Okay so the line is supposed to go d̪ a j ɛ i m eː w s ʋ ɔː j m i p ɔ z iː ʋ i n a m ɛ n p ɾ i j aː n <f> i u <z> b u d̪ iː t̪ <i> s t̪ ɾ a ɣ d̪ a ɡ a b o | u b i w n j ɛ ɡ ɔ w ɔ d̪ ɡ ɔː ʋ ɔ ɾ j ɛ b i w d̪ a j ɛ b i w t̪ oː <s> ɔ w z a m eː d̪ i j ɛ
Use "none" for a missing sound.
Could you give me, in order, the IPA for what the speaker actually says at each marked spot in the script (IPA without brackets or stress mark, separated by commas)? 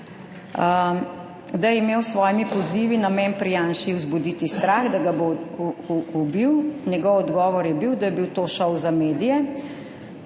ʃ, z, i, ʃ